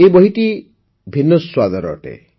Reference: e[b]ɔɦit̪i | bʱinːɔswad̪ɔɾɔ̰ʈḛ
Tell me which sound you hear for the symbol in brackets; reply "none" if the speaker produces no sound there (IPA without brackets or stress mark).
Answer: b